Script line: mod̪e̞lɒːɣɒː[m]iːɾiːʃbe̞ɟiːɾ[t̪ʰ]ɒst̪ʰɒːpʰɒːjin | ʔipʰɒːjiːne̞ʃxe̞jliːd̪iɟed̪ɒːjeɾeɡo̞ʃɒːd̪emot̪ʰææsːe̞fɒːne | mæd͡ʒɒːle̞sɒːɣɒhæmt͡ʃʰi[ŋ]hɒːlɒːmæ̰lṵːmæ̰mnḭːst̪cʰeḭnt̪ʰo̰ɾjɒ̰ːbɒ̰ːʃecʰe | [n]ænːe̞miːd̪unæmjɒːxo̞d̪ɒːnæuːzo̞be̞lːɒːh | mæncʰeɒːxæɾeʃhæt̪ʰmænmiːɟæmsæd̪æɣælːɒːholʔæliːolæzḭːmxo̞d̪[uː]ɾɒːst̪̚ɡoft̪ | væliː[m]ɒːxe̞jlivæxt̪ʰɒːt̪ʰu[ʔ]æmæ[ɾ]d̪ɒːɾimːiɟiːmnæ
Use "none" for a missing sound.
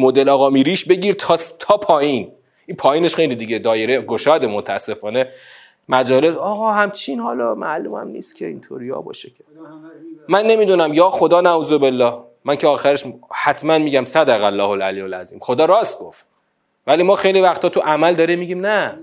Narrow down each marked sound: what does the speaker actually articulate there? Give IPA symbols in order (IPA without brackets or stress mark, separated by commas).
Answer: m, t̪ʰ, n, m, ɒː, m, ʔ, l